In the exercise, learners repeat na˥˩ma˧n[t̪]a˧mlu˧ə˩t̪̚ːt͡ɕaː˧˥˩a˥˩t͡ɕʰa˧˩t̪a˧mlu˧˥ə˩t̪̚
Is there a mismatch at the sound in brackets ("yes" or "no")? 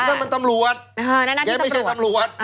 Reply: no